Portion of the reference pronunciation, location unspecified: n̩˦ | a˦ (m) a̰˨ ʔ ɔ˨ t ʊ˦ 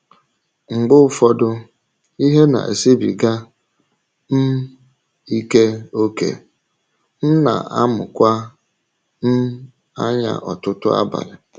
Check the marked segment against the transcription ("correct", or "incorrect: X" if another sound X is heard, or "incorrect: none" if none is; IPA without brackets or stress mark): incorrect: ɲ